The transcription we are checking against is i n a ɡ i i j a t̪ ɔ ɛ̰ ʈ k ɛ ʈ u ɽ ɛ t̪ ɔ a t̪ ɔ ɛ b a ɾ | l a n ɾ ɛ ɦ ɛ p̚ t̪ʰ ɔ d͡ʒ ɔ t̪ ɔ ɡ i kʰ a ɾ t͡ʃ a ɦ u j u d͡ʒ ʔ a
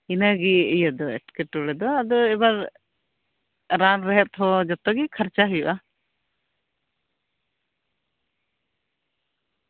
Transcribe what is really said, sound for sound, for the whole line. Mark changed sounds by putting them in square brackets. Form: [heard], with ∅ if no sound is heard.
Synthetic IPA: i n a ɡ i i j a [d̪] ɔ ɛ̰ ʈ k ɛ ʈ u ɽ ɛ [d̪] ɔ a [d̪] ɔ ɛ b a ɾ | [ɾ] a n ɾ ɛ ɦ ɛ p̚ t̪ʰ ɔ d͡ʒ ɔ t̪ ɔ ɡ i kʰ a ɾ t͡ʃ a ɦ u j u [∅] ʔ a